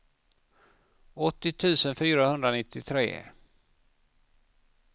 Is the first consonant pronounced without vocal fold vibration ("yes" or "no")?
yes